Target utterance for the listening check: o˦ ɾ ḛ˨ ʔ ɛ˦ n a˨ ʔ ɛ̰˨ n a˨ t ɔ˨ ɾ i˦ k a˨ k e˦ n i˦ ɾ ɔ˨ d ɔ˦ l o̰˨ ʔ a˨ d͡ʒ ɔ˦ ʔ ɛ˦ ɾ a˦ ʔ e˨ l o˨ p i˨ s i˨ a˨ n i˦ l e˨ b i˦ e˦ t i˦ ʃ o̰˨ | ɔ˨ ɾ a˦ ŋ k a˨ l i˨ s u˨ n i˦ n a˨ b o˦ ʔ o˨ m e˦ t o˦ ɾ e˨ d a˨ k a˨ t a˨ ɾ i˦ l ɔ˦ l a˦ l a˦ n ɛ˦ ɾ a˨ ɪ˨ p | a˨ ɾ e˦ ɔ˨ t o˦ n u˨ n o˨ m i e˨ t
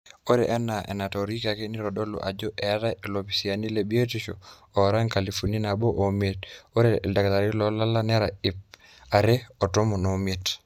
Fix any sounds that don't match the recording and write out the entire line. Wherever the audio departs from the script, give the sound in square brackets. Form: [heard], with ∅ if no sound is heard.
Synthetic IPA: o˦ ɾ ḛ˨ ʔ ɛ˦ n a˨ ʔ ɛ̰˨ n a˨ t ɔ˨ ɾ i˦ k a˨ k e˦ n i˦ ɾ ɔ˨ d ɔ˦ l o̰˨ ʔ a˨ d͡ʒ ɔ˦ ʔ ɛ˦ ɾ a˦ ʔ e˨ l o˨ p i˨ s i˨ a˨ n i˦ l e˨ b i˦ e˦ t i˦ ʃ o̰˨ | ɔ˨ ɾ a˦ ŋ k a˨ l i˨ [f] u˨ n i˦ n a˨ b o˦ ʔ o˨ m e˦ t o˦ ɾ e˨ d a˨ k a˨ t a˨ ɾ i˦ l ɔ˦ l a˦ l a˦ n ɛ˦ ɾ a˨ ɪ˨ p | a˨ ɾ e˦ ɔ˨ t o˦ [m] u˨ n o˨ m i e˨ t

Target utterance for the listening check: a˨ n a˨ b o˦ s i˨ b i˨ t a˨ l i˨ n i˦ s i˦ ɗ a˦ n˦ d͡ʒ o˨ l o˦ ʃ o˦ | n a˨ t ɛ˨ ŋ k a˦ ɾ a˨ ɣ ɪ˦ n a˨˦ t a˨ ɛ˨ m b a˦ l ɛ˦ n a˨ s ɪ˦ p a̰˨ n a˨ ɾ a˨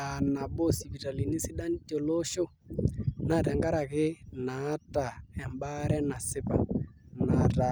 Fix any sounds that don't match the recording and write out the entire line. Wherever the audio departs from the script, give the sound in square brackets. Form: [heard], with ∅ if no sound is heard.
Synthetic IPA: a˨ n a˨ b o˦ s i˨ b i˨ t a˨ l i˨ n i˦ s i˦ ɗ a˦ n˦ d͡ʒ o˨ l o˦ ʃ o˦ | n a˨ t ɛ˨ ŋ [ɡ] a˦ ɾ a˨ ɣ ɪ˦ n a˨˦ t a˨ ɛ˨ m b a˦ [ɾ] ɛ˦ n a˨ s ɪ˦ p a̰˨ n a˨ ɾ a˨

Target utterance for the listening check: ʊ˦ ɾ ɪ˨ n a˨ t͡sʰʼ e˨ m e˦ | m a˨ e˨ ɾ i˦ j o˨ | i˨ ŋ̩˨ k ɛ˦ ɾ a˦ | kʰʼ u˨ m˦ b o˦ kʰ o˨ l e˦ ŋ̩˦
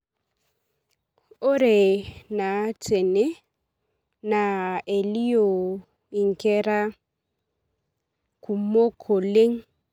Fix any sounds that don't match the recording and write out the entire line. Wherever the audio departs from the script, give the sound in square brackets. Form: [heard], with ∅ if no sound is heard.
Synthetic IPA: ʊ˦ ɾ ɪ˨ n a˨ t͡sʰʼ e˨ [n] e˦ | [n] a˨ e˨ [l] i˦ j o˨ | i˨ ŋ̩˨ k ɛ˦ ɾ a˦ | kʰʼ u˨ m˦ [m] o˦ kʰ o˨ l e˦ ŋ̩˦

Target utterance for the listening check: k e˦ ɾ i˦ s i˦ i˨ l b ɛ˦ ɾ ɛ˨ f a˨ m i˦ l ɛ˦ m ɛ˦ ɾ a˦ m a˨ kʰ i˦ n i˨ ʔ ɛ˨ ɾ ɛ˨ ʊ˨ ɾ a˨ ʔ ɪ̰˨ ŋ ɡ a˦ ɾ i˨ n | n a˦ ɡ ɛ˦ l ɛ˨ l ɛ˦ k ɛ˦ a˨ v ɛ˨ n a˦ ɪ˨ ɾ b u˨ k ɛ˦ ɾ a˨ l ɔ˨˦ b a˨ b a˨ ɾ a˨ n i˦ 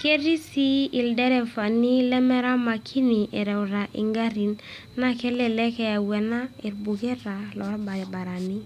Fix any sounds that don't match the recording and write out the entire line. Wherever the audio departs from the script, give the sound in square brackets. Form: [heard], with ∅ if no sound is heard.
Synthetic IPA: k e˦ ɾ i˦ s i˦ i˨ l [d] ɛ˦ ɾ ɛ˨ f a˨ [n] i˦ l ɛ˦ m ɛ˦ ɾ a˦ m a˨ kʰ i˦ n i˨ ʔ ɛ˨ ɾ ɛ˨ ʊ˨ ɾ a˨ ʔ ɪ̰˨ ŋ ɡ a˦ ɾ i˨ n | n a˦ [k] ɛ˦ l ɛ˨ l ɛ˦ k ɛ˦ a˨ [w] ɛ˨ n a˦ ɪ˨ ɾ b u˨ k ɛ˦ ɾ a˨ l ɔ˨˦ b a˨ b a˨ ɾ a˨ n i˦

